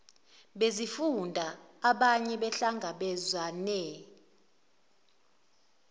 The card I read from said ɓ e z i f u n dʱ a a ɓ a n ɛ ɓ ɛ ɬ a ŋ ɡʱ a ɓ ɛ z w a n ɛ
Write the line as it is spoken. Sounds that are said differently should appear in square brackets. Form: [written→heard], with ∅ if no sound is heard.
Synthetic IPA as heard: ɓ e z i f u n dʱ a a ɓ a [n→ɲ] ɛ ɓ ɛ ɬ a ŋ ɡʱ a ɓ ɛ z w a n ɛ